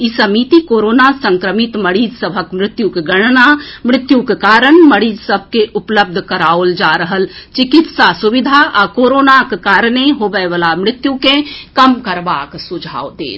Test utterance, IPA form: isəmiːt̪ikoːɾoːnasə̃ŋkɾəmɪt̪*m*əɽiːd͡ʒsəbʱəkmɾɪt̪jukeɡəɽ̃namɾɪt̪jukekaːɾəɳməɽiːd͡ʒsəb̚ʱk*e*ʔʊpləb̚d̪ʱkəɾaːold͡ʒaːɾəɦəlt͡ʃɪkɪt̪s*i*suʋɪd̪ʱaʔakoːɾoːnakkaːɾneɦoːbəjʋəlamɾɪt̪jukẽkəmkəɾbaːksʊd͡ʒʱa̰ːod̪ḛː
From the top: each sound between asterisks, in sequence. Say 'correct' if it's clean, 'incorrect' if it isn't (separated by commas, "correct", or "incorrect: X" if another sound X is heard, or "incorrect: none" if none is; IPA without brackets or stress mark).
correct, correct, incorrect: a